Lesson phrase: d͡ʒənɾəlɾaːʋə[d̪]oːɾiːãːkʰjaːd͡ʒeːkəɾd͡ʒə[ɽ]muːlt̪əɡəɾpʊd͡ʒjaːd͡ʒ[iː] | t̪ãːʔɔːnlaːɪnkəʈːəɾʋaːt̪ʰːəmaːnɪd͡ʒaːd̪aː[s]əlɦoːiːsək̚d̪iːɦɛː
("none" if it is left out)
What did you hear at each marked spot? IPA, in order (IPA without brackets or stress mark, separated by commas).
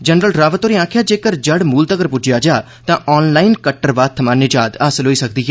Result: t̪, ɽ, aː, s